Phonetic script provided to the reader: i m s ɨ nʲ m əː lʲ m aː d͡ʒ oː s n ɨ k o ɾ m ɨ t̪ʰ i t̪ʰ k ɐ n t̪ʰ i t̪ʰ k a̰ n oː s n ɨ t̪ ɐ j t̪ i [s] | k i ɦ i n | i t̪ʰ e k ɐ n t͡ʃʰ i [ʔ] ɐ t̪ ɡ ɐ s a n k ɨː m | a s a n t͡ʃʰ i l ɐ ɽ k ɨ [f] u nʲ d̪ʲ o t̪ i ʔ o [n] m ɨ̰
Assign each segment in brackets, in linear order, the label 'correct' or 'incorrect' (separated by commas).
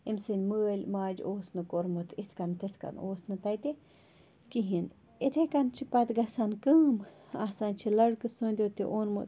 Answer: incorrect, incorrect, incorrect, correct